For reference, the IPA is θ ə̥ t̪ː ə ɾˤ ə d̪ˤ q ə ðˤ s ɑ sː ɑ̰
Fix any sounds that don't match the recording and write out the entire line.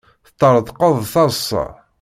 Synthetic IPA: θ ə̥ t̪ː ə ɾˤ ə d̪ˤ q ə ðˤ θ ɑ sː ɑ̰